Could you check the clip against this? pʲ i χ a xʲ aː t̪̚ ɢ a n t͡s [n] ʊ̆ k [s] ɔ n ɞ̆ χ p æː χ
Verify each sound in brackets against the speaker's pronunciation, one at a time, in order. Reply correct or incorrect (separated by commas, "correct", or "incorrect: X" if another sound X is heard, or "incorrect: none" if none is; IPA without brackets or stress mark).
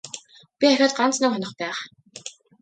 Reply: correct, incorrect: χ